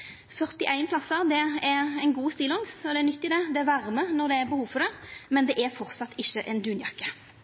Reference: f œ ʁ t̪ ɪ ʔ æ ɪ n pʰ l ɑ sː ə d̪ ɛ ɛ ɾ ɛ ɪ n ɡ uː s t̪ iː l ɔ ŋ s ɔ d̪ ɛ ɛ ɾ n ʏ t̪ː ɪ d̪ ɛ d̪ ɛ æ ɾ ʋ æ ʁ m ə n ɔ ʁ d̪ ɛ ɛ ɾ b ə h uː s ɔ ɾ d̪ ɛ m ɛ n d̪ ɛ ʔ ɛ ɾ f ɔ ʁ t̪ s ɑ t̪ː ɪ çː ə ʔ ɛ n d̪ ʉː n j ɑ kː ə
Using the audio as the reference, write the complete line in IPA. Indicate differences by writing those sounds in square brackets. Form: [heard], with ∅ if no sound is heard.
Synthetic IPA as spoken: f œ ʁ t̪ ɪ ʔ æ ɪ n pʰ l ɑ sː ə d̪ ɛ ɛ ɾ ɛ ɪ n ɡ uː s t̪ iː l ɔ ŋ s ɔ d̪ ɛ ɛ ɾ n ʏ t̪ː ɪ d̪ ɛ d̪ ɛ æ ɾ ʋ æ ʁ m ə n ɔ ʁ d̪ ɛ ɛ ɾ b ə h uː [f] ɔ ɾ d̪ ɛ m ɛ n d̪ ɛ ʔ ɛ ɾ f ɔ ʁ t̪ s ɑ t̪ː ɪ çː ə ʔ ɛ n d̪ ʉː n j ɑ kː ə